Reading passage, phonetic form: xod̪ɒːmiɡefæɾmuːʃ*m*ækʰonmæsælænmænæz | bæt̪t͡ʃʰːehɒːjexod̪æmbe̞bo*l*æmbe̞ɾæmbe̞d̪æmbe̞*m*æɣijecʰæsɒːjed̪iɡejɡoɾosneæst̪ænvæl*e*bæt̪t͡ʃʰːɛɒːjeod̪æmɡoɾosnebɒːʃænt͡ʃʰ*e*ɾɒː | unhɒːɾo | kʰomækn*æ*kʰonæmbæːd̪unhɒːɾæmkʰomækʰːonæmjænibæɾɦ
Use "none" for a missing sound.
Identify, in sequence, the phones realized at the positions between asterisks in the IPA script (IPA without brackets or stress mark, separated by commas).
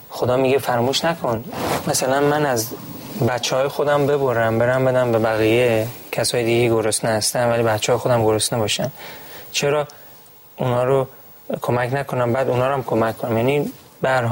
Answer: n, ɾ, b, i, e, æ